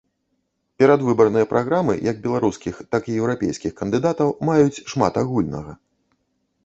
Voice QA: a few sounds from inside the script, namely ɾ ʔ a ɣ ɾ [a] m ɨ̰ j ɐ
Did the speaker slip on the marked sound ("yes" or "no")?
no